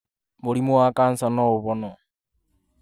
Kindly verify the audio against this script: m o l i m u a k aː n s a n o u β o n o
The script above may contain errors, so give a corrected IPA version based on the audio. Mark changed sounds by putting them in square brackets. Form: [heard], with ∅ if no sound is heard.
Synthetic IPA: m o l i m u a k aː n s a n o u β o n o

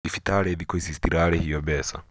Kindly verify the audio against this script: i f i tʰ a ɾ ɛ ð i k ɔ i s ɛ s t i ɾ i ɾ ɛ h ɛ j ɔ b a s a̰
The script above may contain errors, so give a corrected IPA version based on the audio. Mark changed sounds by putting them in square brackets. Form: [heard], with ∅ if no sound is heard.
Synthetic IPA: i f i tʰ a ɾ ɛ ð i k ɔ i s [i] s t i ɾ [a] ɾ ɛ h [i] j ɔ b [ɛ] s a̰

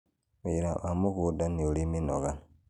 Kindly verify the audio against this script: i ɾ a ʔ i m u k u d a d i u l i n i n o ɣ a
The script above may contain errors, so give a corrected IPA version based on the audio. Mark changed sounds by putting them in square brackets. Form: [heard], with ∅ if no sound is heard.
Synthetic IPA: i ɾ a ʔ [a] m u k u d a [n] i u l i [m] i n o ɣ a

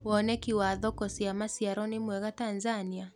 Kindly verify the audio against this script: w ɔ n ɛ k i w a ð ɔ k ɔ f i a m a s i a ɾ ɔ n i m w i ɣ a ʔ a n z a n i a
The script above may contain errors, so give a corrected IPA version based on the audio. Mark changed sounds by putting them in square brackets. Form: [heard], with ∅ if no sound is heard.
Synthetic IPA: w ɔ n ɛ k i w a ð ɔ k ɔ [s] i a m a s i a ɾ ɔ n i m w [ɛ] ɣ a [t] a n z a n i a

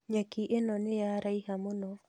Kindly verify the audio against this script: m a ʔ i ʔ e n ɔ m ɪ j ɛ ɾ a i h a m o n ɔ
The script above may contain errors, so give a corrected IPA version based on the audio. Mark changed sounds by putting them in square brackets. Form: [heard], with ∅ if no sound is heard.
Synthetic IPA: [ɲ] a [k] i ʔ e n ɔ [n] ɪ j [a] ɾ a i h a m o n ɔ

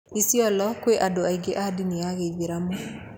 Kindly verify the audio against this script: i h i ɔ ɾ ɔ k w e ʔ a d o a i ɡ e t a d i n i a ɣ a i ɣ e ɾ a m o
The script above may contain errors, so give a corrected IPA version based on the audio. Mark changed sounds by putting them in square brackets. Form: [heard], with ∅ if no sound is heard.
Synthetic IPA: i [s] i ɔ [l] ɔ k w e ʔ a d o a i ɡ e [ʔ] a d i n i a ɣ [e] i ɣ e ɾ a m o

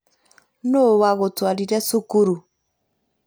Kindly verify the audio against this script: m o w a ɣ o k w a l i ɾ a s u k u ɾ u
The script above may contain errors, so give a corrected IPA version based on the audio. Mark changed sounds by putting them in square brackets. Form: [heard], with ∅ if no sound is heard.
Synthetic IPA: [n] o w a ɣ o [t] w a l i ɾ [ɛ] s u k u ɾ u

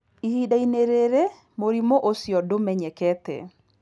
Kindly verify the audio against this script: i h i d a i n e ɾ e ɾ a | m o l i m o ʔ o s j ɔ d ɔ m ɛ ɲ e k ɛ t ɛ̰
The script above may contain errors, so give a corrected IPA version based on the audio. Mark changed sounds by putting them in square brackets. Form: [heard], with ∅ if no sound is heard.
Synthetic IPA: i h i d a i n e ɾ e ɾ [e] | m o [ɾ] i m o ʔ o s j ɔ d [o] m ɛ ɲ [ɛ] k ɛ t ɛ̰

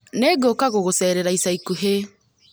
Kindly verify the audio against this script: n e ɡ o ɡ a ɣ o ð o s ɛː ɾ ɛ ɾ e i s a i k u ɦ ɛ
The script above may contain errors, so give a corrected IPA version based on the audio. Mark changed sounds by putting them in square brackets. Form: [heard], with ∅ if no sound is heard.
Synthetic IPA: n e ɡ o [k] a ɣ o [ɣ] o s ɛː ɾ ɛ ɾ [a] i s a i k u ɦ [e]

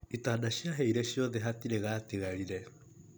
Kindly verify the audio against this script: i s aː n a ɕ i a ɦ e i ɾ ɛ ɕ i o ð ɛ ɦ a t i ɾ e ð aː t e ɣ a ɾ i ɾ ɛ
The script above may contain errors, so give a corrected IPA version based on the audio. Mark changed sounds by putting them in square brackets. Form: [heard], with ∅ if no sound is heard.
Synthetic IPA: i [t] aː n a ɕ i a ɦ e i ɾ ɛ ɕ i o ð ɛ ɦ a t i ɾ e [ɣ] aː t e ɣ a ɾ i ɾ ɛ

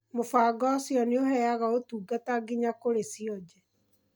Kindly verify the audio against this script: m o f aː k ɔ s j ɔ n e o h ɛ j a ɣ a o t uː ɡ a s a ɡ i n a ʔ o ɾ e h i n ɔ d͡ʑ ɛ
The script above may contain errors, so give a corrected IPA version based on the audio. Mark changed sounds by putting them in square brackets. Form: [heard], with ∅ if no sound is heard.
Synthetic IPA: m o f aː [ɡ] ɔ s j ɔ n e o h ɛ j a ɣ a o t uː ɡ a [t] a ɡ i [ɲ] a [k] o ɾ e [s] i [∅] ɔ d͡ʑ ɛ

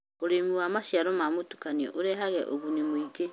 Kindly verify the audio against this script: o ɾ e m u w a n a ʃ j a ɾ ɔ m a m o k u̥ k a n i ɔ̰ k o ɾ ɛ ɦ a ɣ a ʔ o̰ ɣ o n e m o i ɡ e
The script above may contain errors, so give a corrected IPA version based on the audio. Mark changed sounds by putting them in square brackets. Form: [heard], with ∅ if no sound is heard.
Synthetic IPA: o ɾ e m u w a [m] a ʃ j a ɾ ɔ m a m o [t] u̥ k a n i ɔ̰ [ʔ] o ɾ ɛ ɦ a ɣ [ɛ] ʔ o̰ ɣ [u] n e m o i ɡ e

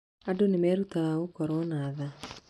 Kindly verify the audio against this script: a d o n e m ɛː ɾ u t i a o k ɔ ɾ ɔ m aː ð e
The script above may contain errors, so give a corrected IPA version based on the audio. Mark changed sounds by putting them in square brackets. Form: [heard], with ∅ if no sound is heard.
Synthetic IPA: a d o n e m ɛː ɾ u t [a] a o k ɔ ɾ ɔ [n] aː ð [a]

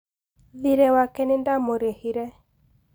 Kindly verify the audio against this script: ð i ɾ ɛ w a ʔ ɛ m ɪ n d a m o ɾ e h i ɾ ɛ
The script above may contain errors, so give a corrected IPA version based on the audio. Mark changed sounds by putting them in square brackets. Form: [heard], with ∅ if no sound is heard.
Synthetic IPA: ð i ɾ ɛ w a [k] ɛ [n] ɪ n d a m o ɾ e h i ɾ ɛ

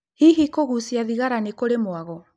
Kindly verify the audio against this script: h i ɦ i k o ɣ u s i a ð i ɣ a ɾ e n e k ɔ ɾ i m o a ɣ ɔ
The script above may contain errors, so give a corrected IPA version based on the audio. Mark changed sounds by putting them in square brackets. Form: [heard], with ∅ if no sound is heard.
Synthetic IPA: h i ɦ i k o ɣ u s i a ð i ɣ a ɾ [a] n e k [o] ɾ [e] m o a ɣ ɔ

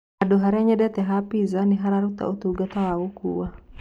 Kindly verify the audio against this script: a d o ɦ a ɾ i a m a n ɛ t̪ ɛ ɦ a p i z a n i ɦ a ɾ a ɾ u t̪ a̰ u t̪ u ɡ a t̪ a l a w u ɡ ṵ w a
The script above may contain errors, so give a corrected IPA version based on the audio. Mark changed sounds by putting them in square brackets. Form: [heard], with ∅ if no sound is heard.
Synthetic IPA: a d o ɦ a ɾ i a [ɲ] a [d] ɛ t̪ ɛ ɦ a p i z a n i ɦ a ɾ a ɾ u t̪ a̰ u t̪ u ɡ a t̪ a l a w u [k] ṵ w a

